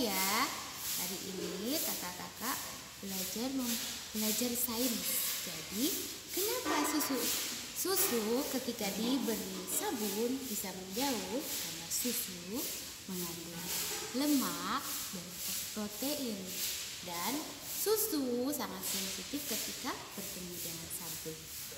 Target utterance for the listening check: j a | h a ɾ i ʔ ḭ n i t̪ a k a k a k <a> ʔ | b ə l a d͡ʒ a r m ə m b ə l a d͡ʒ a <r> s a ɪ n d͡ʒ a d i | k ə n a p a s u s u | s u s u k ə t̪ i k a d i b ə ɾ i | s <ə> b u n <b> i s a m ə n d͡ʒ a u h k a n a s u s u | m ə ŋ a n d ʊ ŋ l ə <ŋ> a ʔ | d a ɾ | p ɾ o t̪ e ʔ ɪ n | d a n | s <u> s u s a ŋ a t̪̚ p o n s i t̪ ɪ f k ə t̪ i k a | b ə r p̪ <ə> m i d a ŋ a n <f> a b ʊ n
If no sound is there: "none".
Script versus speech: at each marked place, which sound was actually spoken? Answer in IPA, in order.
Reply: a, r, a, b, m, u, ə, s

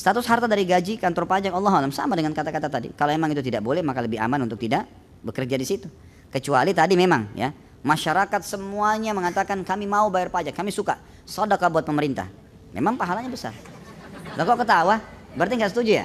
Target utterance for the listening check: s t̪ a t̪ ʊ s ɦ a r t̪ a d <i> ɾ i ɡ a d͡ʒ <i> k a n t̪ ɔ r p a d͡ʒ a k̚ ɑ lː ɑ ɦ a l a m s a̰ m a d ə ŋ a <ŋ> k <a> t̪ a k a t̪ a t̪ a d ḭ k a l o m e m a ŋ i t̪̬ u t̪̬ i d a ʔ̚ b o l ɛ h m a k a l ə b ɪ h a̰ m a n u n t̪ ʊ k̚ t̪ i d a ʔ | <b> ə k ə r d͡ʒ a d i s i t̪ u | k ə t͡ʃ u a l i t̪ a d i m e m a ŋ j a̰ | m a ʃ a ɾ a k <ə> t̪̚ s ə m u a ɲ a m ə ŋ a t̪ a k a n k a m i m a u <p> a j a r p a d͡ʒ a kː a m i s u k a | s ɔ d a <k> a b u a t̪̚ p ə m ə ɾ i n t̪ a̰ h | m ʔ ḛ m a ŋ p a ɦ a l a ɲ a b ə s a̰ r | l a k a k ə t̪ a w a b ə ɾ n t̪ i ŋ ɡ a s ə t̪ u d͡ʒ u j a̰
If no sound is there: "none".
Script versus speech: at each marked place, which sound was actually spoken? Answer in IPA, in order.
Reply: a, i, n, a, b, a, b, k

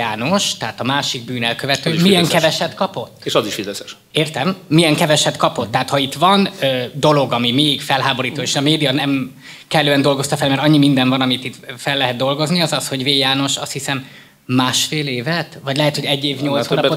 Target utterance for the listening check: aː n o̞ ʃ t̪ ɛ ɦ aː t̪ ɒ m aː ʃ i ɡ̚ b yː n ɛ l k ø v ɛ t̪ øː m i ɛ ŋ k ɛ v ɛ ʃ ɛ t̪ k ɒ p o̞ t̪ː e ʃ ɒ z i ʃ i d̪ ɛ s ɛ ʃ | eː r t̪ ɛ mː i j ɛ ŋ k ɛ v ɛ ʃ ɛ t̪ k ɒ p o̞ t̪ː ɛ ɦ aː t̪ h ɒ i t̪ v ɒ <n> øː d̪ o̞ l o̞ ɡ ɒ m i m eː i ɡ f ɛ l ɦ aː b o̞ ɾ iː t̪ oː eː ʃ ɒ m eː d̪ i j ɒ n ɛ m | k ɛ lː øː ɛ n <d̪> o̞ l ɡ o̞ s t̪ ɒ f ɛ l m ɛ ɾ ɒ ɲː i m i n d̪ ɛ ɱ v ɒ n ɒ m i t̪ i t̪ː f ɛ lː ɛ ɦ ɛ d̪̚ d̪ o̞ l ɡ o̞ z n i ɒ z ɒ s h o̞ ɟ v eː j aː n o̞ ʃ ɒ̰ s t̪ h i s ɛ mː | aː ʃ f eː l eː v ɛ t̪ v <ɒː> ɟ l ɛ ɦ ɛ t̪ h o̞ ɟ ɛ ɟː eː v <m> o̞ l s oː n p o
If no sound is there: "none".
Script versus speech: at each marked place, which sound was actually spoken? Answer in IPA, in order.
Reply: n, d̪, ɒ, ɲ

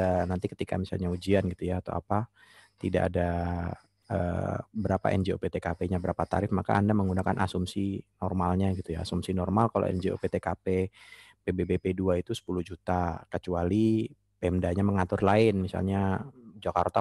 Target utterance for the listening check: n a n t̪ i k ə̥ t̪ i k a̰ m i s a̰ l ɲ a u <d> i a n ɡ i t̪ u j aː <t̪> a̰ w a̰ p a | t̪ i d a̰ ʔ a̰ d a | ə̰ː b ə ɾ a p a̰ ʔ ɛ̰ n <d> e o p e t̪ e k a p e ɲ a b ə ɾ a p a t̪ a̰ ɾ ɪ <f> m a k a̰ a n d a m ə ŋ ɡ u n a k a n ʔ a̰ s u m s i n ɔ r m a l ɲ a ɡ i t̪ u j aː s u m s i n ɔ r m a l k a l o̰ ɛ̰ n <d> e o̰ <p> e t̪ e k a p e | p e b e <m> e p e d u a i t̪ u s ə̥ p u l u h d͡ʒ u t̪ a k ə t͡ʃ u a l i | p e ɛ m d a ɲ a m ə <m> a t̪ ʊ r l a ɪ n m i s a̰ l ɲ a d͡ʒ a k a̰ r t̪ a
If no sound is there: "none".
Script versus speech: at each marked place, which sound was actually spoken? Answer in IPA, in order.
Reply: d͡ʒ, t̪, d͡ʒ, f, d͡ʒ, p, b, ŋ

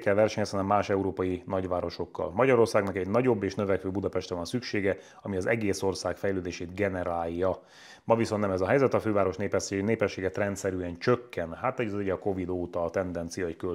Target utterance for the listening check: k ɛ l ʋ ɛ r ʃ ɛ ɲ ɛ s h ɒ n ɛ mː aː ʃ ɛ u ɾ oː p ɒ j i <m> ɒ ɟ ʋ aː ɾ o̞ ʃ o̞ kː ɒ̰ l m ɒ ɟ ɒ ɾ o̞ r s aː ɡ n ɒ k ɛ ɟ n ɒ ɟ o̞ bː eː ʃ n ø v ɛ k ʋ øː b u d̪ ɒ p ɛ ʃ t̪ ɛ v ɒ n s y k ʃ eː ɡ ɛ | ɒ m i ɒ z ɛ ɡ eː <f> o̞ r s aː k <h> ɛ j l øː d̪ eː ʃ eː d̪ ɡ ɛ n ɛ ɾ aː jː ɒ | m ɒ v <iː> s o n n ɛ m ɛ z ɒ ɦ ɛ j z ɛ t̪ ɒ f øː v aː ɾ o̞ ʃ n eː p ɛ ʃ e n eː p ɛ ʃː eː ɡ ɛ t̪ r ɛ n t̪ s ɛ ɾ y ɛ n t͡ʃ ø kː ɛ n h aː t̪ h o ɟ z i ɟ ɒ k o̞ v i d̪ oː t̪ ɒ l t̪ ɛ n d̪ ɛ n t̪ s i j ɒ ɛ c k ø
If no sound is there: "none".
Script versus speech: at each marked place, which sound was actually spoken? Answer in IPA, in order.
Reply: n, s, f, i

